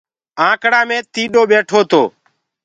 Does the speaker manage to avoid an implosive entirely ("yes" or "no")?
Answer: no